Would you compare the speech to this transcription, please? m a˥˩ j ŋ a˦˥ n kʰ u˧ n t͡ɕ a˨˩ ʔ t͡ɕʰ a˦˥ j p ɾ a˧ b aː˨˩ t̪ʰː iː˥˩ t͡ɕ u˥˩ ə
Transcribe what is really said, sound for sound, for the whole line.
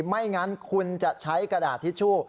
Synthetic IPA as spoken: m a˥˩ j ŋ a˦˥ n kʰ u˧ n t͡ɕ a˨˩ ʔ t͡ɕʰ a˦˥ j k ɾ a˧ d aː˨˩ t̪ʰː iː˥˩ t͡ɕʰ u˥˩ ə

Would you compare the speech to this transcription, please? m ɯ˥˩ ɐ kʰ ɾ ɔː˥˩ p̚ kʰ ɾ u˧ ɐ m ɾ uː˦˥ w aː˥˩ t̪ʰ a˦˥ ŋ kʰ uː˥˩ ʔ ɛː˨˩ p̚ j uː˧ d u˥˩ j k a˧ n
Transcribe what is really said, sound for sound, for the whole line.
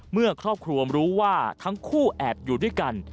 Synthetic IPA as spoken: m ɯ˥˩ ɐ kʰ ɾ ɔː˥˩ p̚ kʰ ɾ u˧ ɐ m ɾ uː˦˥ w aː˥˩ t̪ʰ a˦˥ ŋ kʰ uː˥˩ ʔ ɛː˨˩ p̚ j uː˨˩ d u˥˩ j k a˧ n

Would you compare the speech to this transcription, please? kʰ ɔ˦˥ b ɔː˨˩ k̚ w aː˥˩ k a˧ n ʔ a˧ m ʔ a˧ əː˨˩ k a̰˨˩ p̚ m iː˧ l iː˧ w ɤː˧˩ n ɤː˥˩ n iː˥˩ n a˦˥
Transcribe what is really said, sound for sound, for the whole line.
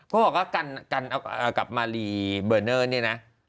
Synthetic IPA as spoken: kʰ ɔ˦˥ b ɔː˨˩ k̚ w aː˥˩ k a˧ n k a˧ n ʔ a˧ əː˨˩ k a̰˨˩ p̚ m aː˧ l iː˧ b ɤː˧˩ n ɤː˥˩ n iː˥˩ n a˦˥

